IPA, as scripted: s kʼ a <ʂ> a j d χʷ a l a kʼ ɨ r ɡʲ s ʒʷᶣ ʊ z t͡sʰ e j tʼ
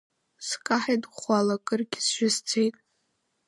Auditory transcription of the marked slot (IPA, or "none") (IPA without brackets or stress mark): ħ